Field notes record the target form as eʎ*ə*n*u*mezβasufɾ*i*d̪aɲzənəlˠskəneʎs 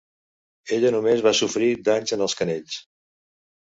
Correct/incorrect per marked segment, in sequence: correct, correct, correct

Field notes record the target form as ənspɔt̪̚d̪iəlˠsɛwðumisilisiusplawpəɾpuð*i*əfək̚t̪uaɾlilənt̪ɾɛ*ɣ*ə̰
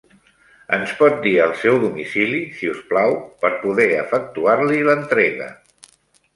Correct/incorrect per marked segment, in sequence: incorrect: ɛ, correct

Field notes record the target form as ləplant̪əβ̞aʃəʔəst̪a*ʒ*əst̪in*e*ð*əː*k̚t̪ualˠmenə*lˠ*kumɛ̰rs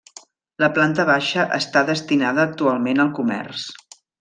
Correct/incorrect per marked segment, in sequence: incorrect: ð, incorrect: a, correct, correct

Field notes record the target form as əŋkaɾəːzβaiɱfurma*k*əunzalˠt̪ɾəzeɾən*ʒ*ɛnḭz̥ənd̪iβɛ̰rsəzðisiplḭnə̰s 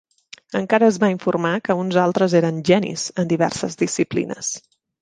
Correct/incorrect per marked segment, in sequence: correct, correct

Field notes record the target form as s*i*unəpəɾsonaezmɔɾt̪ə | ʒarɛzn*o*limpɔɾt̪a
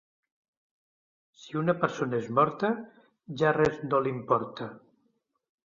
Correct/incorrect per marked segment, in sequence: correct, correct

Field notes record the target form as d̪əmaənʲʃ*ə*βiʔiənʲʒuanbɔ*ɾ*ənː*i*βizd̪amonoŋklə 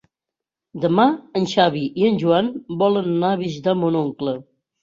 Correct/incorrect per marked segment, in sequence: incorrect: a, incorrect: l, incorrect: a

